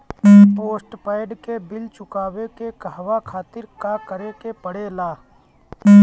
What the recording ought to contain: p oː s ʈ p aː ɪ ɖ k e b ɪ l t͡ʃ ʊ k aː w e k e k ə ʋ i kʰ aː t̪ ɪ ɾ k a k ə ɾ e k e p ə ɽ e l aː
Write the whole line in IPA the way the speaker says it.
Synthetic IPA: p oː s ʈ p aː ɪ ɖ k e b ɪ l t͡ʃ ʊ k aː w e k e k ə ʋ a kʰ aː t̪ ɪ ɾ k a k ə ɾ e k e p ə ɽ e l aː